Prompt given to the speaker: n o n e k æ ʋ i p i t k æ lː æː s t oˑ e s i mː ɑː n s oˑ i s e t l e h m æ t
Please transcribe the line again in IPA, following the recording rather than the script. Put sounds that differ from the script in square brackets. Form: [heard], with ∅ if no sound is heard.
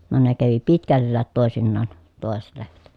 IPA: n o n e k æ ʋ i p i t k æ lː æː [t] t oˑ e s i [nː] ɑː n [t] oˑ [e] s e t l e h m æ t